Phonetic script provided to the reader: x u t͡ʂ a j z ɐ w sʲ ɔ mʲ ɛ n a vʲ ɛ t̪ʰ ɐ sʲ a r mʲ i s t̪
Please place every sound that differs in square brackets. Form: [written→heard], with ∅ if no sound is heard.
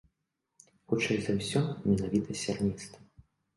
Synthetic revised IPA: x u t͡ʂ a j z ɐ w sʲ ɔ mʲ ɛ n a vʲ [ɛ→i] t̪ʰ ɐ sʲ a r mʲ i s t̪